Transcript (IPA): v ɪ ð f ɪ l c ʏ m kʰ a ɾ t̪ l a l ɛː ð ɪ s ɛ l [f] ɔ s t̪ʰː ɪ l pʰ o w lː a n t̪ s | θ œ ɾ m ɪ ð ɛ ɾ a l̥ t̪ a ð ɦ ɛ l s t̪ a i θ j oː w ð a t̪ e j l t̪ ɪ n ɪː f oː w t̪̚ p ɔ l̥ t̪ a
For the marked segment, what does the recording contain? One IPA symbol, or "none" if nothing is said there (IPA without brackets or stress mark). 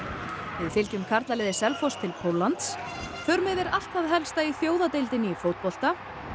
f